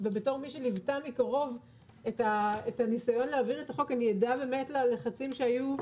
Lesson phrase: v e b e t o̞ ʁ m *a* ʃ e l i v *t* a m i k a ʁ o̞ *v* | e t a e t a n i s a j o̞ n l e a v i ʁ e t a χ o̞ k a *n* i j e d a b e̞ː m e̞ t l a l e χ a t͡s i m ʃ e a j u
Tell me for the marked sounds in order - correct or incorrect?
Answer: incorrect: i, correct, correct, correct

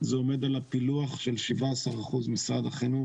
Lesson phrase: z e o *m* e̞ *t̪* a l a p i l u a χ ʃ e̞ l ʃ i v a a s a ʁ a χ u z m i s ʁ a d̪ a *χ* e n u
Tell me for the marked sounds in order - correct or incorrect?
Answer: correct, incorrect: d̪, correct

